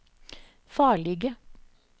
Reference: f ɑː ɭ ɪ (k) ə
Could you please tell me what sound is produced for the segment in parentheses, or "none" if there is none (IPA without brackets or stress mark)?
ɡ